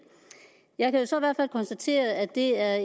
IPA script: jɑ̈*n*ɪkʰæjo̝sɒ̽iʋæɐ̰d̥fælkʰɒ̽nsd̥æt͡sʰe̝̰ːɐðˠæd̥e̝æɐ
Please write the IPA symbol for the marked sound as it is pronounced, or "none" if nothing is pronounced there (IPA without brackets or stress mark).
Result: none